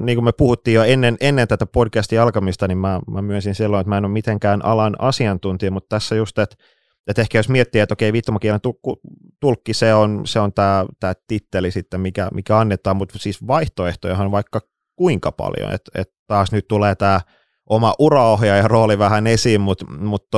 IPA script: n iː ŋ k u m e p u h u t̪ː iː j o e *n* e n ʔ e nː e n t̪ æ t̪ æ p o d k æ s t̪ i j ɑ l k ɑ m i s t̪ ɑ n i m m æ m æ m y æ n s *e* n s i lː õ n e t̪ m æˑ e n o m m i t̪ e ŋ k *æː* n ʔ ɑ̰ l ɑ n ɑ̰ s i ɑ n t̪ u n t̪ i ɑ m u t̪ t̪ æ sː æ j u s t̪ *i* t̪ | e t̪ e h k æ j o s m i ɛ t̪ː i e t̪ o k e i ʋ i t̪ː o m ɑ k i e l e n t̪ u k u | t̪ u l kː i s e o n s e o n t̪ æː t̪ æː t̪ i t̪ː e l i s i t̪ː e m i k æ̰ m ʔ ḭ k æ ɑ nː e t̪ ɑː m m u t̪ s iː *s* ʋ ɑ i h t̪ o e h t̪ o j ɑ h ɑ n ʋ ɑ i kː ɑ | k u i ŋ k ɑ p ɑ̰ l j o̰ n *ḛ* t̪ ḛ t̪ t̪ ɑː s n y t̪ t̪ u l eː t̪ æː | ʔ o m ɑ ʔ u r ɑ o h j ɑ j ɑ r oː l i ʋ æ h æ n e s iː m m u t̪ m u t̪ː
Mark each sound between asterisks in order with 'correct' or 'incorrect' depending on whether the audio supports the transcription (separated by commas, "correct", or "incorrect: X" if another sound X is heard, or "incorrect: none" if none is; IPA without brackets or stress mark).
incorrect: nː, incorrect: i, correct, incorrect: e, correct, correct